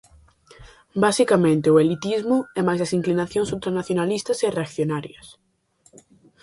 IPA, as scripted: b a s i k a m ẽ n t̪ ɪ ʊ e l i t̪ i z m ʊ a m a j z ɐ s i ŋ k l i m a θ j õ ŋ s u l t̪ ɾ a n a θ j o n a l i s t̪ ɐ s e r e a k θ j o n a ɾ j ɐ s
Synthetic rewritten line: b a s i k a m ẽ n t̪ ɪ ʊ e l i t̪ i z m ʊ ɛ m a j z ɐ s i ŋ k l i n a θ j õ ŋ s u l t̪ ɾ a n a θ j o n a l i s t̪ ɐ s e r e a k θ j o n a ɾ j ɐ s

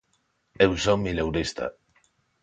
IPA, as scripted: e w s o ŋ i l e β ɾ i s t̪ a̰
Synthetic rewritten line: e w s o m i l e w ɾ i s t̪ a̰

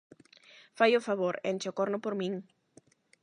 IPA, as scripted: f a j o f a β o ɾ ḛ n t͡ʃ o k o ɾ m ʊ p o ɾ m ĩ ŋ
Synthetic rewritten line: f a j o f a β o ɾ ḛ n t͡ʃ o k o ɾ n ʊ p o ɾ m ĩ ŋ

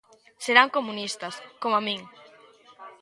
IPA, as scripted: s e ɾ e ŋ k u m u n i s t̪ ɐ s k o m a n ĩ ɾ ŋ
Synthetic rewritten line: s e ɾ a ŋ k o m u n i s t̪ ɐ s k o m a m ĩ ŋ

